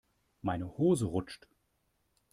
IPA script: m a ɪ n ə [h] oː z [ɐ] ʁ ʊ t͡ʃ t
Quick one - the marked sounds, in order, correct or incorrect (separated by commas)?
correct, incorrect